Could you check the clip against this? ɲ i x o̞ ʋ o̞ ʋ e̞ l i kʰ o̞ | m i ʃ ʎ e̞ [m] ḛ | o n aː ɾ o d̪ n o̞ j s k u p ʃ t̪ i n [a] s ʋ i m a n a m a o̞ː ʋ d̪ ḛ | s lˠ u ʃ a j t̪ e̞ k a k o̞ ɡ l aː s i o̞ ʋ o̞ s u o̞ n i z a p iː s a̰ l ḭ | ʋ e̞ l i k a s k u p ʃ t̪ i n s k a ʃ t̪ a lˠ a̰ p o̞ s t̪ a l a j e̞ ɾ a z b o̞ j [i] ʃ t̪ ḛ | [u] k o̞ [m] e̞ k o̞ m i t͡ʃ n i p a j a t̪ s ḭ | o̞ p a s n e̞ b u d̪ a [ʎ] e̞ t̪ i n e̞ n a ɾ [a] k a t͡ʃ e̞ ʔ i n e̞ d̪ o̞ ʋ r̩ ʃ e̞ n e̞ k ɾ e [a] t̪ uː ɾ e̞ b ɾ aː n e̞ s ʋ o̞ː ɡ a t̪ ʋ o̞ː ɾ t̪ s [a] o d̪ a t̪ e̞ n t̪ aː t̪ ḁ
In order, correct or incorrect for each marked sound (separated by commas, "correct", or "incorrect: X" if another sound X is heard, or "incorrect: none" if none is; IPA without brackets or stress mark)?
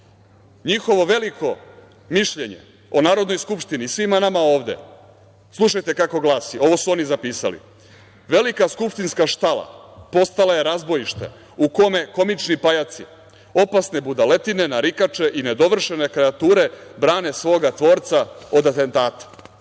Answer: incorrect: ɲ, incorrect: i, correct, correct, correct, incorrect: l, incorrect: i, correct, correct